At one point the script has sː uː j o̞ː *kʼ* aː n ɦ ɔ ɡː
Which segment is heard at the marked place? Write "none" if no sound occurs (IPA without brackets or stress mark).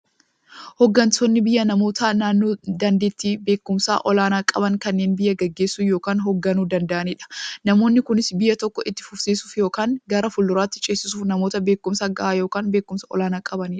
k